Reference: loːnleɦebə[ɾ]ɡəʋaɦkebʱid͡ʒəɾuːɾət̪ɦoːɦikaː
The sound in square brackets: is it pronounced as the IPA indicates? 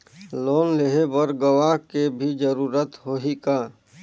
yes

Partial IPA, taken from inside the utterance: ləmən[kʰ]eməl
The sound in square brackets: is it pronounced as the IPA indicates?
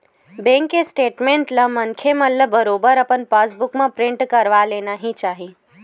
yes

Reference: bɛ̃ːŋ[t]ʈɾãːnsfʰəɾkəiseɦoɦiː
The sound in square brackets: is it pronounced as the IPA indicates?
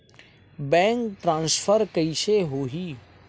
no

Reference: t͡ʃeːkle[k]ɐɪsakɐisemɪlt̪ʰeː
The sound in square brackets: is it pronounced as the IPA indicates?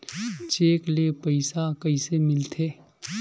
no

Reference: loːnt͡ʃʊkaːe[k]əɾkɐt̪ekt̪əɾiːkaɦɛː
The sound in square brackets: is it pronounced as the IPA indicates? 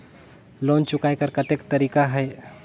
yes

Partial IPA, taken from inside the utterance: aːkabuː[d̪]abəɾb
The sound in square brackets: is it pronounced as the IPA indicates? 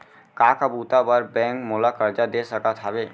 no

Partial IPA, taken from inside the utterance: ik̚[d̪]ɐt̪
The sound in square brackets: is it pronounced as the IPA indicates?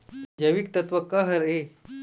no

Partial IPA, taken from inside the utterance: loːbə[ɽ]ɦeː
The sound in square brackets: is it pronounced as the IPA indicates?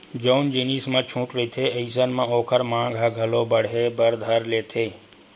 yes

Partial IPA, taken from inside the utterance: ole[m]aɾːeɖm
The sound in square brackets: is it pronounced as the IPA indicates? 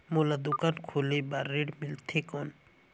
no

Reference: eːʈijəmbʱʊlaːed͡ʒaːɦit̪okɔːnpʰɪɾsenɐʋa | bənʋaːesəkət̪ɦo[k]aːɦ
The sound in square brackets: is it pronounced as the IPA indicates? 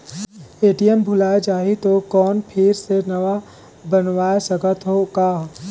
yes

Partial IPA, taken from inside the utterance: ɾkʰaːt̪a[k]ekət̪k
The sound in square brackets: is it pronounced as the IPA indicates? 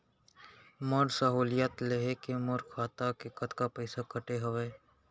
yes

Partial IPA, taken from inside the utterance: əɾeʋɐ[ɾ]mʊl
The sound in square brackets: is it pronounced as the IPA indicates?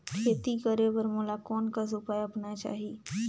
yes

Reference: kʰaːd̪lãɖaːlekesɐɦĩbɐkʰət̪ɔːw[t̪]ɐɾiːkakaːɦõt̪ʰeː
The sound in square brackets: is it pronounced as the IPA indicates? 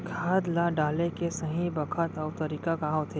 yes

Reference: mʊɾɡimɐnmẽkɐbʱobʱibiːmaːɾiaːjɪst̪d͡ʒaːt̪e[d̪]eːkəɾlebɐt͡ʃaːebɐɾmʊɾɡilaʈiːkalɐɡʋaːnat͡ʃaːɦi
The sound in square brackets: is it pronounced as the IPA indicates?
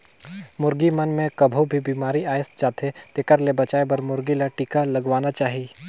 no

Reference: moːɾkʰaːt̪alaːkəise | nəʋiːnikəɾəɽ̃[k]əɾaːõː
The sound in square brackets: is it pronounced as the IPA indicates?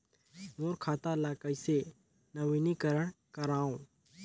yes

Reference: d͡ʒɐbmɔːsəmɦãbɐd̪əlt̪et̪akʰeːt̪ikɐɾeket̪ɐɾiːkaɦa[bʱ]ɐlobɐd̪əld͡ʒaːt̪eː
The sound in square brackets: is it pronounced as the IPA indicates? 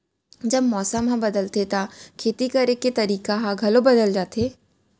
no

